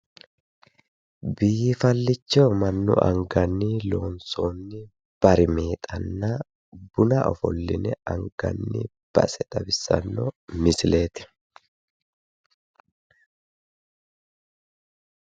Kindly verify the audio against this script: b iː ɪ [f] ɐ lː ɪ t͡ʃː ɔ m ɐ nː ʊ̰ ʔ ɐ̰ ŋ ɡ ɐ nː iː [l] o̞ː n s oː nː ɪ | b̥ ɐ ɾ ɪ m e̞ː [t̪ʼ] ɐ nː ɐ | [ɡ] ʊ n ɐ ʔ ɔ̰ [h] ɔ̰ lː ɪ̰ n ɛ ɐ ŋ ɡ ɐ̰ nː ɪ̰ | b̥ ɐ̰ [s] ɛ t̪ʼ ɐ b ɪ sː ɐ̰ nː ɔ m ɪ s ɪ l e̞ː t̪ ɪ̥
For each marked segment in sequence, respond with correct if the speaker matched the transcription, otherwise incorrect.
correct, correct, correct, incorrect: b, incorrect: f, correct

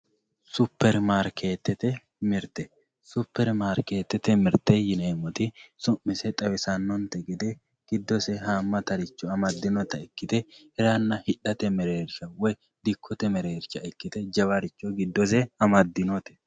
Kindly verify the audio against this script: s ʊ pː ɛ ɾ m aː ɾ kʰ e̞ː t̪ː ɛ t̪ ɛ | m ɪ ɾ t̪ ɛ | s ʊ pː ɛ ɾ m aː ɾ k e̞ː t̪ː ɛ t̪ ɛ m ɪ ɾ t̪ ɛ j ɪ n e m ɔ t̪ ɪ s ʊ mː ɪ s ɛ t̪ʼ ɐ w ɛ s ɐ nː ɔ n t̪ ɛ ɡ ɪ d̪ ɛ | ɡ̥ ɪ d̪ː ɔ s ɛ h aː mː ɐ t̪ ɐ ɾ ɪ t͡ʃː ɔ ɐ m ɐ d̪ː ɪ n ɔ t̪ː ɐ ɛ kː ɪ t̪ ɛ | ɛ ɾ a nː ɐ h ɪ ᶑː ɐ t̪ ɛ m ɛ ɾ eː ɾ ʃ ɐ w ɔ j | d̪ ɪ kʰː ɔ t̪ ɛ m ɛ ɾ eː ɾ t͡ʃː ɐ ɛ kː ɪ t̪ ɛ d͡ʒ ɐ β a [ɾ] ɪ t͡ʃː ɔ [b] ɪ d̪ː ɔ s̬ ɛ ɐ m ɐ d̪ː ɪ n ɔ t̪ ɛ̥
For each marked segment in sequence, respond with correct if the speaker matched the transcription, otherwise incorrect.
correct, incorrect: ɡ

